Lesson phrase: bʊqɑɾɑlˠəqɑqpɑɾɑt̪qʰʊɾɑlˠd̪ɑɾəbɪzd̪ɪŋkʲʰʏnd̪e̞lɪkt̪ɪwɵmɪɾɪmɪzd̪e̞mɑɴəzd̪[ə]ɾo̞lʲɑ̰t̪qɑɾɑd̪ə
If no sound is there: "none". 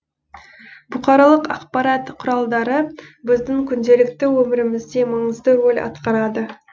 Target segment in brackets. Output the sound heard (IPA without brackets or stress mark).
ə